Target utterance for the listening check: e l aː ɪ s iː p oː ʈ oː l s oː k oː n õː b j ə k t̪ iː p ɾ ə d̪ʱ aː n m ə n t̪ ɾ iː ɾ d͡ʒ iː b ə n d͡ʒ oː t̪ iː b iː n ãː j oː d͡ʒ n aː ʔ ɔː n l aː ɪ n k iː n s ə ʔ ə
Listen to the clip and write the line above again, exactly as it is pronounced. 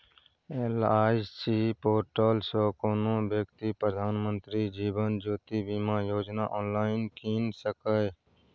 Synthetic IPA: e l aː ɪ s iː p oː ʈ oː l s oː k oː n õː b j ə k t̪ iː p ɾ ə d̪ʱ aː n m ə n t̪ ɾ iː d͡ʒ iː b ə n d͡ʒ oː t̪ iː b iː m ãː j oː d͡ʒ n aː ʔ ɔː n l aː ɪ n k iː n s ə k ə

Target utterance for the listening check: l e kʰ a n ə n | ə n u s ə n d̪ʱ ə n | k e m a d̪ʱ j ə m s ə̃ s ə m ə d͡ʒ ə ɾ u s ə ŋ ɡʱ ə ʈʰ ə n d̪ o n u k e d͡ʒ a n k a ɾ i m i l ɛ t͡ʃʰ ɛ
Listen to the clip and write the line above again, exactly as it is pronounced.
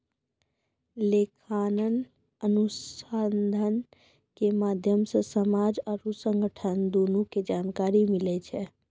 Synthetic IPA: l e kʰ a n ə n | ə n u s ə n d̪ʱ ə n | k e m a d̪ʱ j ə m s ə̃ s ə m a d͡ʒ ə ɾ u s ə ŋ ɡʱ ə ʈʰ ə n d̪ o n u k e d͡ʒ a n k a ɾ i m i l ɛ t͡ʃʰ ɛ

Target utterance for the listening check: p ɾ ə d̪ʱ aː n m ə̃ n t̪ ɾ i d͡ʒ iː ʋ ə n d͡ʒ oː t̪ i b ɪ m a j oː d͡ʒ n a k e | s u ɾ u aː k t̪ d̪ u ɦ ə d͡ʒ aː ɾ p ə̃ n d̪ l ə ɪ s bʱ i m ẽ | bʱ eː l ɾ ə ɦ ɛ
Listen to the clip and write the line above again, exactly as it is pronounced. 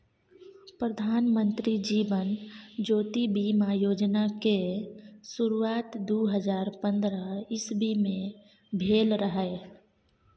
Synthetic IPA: p ɾ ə d̪ʱ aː n m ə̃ n t̪ ɾ i d͡ʒ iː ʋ ə n d͡ʒ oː t̪ i b i m a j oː d͡ʒ n a k e | s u ɾ u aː t̪ d̪ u ɦ ə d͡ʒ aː ɾ p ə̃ n d̪ ɾ ə ɪ s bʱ i m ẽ | bʱ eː l ɾ ə ɦ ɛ

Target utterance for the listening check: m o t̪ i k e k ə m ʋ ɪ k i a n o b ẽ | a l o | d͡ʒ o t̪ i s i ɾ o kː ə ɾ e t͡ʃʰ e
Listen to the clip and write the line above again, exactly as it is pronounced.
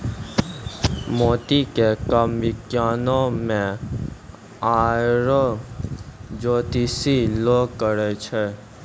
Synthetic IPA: m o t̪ i k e k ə m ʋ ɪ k j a n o m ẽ | a ɾ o | d͡ʒ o t̪ i s i l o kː ə ɾ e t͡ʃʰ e

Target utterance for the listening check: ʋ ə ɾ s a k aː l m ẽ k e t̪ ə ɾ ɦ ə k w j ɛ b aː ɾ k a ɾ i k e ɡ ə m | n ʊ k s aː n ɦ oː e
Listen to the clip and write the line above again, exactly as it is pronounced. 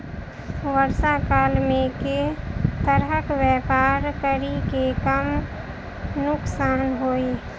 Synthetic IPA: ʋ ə ɾ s a k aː l m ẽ k e t̪ ə ɾ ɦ ə k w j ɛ p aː ɾ k ə ɾ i k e k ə m | n ʊ k s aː n ɦ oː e

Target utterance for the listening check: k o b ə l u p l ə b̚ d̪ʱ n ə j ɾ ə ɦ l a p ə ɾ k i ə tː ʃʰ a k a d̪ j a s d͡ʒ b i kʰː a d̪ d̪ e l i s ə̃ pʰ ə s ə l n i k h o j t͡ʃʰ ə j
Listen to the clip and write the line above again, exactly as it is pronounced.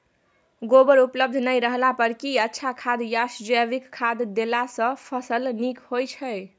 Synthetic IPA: ɡ o b ə ɾ u p l ə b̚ d̪ʱ n ə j ɾ ə ɦ l a p ə ɾ k i ə tː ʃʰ a kʰ a d̪ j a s d͡ʒ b i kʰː a d̪ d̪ e l a s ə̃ pʰ ə s ə l n i k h o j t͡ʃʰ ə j

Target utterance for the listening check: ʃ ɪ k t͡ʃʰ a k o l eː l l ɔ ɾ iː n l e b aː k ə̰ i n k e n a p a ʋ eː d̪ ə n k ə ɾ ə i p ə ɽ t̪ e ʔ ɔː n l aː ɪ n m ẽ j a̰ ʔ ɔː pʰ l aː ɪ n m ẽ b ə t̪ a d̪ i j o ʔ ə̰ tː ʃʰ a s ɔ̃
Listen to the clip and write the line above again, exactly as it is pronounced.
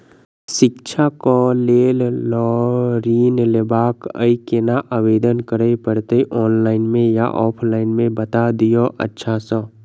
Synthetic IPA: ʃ ɪ k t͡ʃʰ a k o l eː l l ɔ ɾ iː n l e b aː k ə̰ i k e n a ʔ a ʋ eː d̪ ə n k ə ɾ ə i p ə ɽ t̪ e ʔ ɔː n l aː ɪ n m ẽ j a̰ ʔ ɔː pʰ l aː ɪ n m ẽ b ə t̪ a d̪ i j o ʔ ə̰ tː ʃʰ a s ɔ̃

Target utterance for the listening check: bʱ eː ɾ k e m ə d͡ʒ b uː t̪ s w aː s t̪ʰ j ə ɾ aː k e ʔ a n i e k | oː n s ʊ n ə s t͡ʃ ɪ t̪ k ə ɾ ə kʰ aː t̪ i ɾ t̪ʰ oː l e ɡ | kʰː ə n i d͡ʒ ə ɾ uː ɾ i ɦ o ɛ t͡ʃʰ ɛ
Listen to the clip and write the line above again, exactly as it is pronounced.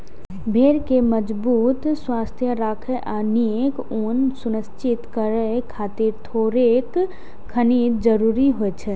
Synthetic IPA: bʱ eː ɾ k e m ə d͡ʒ b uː t̪ s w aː s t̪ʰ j ə ɾ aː kʰ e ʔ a n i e k | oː n s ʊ n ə s t͡ʃ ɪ t̪ k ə ɾ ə kʰ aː t̪ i ɾ t̪ʰ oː ɾ e k | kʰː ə n i d͡ʒ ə ɾ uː ɾ i ɦ o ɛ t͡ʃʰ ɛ

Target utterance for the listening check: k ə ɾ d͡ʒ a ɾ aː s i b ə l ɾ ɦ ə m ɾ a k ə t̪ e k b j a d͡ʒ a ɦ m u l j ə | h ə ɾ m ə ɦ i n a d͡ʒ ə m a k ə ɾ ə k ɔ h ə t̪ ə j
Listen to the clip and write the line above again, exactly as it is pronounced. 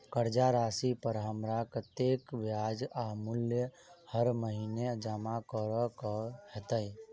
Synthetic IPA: k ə ɾ d͡ʒ a ɾ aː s i p ə ɾ ɦ ə m ɾ a k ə t̪ e k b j a d͡ʒ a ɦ m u l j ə | h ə ɾ m ə ɦ i n e d͡ʒ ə m a k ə ɾ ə k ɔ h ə t̪ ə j

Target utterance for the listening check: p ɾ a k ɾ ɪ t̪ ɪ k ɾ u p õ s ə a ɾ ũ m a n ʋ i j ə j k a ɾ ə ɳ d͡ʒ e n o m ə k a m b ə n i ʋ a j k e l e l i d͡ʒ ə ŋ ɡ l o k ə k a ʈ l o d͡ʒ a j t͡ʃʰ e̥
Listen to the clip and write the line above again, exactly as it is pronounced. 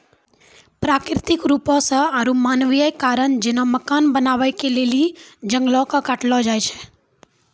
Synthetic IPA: p ɾ a k ɾ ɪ t̪ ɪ k ɾ u p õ s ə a ɾ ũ m a n ʋ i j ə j k a ɾ ə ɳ d͡ʒ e n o m ə k a n b ə n a ʋ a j k e l e l i d͡ʒ ə ŋ ɡ l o k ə k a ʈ l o d͡ʒ a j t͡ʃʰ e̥

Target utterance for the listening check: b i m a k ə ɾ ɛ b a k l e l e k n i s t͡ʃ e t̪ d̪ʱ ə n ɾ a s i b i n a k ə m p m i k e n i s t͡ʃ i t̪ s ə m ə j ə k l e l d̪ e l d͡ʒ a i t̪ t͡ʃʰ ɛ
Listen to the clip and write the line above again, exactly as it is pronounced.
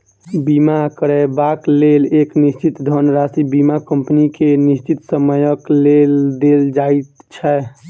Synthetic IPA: b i m a k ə ɾ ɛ b a k l e l e k n i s t͡ʃ i t̪ d̪ʱ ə n ɾ a s i b i m a k ə m p n i k e n i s t͡ʃ i t̪ s ə m ə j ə k l e l d̪ e l d͡ʒ a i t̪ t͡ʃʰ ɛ

